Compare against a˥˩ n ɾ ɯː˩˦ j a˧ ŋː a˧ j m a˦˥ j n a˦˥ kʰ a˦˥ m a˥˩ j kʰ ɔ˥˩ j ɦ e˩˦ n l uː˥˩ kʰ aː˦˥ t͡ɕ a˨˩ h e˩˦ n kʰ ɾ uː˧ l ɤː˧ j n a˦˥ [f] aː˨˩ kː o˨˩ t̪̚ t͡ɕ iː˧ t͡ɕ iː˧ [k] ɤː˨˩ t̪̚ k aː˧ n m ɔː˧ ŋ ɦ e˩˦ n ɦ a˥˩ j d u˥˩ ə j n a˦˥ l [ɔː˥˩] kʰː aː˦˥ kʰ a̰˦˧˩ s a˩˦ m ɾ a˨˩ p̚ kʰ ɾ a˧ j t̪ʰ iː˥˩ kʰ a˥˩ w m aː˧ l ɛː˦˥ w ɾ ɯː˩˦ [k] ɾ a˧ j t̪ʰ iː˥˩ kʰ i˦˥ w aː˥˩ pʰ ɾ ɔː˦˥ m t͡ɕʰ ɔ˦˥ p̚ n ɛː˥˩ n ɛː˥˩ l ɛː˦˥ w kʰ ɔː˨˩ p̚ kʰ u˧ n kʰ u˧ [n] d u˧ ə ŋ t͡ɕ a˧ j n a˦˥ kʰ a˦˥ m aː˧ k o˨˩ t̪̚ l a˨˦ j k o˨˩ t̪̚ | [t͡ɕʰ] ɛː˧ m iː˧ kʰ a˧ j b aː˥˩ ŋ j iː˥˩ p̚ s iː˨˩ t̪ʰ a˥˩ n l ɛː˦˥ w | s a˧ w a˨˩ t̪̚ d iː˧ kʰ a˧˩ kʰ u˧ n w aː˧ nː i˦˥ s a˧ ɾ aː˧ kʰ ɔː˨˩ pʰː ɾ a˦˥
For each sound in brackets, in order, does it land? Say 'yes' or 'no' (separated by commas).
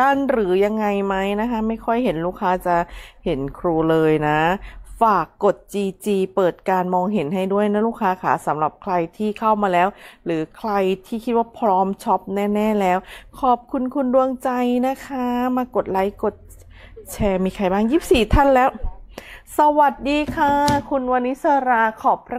yes, no, no, no, yes, yes